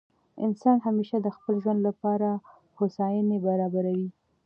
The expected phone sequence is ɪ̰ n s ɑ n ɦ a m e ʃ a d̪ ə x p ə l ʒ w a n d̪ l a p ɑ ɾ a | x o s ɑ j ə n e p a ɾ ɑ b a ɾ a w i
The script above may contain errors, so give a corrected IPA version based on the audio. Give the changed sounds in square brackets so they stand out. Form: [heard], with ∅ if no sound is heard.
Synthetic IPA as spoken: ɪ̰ n s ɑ n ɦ a m e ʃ a d̪ ə x p ə l ʒ w a n d̪ l a p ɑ ɾ a | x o s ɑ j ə n e [b] a ɾ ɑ b a ɾ a w i